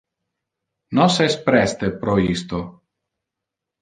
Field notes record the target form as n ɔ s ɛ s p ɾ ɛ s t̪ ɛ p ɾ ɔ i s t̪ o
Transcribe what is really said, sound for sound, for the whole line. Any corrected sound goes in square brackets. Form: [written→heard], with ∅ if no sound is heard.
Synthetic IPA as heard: n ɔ s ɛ s p ɾ ɛ s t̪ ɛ p ɾ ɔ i s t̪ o